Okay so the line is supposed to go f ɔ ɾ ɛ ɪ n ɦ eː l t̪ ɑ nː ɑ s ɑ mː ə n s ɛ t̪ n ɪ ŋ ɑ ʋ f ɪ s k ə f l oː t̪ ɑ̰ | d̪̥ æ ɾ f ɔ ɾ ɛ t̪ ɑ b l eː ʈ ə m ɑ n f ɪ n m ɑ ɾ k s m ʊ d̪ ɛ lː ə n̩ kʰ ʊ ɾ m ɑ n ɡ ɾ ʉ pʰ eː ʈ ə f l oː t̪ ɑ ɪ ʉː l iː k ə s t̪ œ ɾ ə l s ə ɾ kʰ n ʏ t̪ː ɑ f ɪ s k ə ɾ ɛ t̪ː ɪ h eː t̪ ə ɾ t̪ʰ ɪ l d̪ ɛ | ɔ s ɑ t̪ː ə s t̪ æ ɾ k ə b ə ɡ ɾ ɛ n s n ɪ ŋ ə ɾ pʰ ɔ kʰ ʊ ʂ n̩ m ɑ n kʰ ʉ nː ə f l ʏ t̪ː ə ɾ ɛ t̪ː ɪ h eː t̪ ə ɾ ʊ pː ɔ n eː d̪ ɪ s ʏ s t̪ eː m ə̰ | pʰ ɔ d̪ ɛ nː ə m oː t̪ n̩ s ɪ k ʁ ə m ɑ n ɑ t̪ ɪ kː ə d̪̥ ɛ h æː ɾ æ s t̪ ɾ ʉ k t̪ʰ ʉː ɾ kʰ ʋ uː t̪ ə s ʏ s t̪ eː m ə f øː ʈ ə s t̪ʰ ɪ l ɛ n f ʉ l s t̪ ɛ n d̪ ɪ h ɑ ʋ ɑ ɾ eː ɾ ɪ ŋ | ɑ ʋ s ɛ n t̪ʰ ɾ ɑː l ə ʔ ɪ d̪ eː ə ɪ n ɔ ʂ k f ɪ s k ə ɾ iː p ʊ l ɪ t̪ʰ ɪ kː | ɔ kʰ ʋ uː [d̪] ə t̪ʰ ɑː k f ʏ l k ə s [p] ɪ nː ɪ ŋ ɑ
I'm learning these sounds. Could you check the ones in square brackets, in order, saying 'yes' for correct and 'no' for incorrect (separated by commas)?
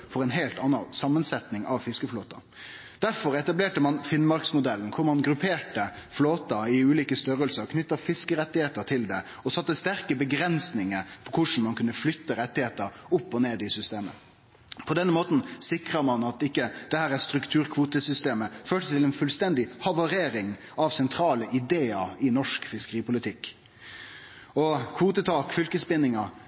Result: no, yes